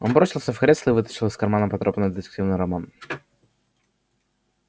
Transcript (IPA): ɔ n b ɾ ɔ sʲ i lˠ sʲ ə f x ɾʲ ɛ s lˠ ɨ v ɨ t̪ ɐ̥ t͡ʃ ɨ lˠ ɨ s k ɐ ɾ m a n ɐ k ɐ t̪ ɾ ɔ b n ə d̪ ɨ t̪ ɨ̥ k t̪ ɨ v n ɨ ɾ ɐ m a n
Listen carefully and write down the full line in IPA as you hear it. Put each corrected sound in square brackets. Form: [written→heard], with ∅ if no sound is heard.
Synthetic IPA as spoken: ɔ n b ɾ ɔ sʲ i lˠ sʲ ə f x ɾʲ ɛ s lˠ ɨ v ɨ t̪ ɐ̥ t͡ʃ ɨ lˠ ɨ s k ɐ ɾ m a n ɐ [k→p] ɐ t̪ ɾ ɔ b n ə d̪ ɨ t̪ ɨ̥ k t̪ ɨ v n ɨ ɾ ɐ m a n